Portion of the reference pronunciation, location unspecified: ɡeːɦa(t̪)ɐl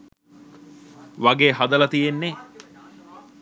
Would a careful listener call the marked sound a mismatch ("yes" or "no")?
yes